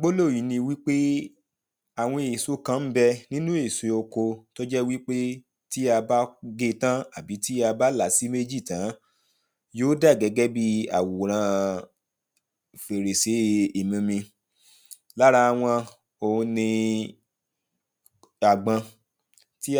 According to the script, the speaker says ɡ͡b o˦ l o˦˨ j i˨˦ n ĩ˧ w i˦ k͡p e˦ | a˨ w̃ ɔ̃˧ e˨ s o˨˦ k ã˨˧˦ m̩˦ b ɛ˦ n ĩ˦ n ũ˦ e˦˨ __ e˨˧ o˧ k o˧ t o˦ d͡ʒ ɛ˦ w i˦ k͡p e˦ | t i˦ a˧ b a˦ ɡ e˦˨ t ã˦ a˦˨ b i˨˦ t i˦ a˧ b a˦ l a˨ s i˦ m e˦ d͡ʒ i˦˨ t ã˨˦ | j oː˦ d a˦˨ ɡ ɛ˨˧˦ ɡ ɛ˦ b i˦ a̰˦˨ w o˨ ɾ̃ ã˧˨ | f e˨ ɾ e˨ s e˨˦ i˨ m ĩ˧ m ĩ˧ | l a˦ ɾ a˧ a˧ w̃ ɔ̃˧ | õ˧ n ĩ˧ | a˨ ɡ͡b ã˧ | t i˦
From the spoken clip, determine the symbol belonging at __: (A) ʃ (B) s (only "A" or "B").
B